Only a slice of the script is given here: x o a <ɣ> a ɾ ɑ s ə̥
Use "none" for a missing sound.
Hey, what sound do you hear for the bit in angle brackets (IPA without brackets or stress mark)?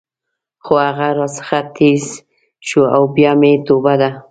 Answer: ɣ